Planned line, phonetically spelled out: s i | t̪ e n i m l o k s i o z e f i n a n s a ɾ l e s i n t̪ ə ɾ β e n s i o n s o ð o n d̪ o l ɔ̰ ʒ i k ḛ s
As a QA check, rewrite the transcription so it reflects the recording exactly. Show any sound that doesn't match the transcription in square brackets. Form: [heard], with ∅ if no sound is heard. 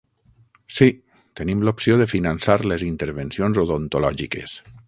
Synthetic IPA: s i | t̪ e n i m l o [p] s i o [ð] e f i n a n s a ɾ l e [z] i n t̪ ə ɾ β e n s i o n [z] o ð o n [t̪] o l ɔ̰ ʒ i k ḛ s